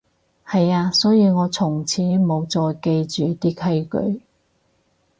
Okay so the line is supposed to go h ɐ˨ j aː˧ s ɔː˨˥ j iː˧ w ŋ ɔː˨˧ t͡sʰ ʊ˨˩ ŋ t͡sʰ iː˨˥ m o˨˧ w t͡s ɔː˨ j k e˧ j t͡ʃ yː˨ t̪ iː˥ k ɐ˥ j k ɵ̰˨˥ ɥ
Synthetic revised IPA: h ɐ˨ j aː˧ s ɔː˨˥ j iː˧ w ŋ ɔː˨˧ t͡sʰ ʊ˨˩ ŋ t͡sʰ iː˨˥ m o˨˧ w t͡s ɔː˨ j k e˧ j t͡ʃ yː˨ t̪ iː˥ kʰ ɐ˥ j k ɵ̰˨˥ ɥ